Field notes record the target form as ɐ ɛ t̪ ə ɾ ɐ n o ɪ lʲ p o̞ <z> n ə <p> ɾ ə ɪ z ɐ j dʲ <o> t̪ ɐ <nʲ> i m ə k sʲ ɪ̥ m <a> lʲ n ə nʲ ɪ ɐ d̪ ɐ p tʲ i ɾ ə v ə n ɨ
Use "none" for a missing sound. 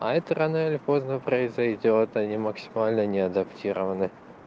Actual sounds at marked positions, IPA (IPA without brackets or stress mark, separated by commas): z, p, o, nʲ, a